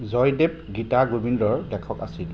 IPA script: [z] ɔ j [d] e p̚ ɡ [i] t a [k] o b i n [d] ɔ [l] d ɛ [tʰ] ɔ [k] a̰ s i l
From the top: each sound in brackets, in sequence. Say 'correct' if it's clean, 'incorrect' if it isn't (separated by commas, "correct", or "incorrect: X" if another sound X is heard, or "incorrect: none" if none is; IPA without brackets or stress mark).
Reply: correct, correct, correct, incorrect: ɡ, correct, incorrect: ɹ, incorrect: kʰ, correct